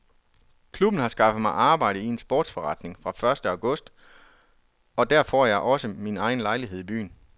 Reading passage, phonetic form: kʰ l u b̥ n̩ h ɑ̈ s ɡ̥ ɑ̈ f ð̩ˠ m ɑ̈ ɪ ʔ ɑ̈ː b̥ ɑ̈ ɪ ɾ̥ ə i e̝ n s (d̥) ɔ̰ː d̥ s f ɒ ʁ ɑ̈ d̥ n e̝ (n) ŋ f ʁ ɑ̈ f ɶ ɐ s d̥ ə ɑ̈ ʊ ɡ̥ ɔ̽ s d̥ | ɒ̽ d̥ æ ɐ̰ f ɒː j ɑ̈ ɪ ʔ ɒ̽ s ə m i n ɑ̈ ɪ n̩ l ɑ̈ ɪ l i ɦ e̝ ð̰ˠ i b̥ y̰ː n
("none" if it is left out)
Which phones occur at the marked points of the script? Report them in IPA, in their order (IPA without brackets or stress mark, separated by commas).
b̥, none